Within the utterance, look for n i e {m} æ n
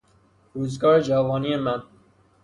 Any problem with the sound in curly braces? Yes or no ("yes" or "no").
no